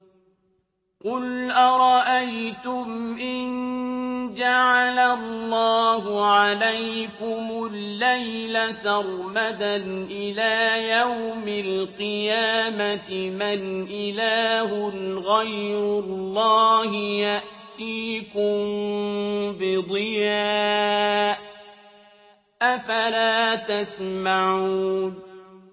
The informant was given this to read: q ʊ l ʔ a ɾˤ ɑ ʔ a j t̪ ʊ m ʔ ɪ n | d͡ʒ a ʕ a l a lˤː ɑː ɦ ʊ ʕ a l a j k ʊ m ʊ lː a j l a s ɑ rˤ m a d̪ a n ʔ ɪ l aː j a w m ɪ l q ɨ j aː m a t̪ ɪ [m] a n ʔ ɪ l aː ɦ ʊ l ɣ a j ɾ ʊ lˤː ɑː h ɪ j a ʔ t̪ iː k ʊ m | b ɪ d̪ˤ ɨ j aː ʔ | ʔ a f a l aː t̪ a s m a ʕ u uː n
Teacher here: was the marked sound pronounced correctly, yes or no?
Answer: yes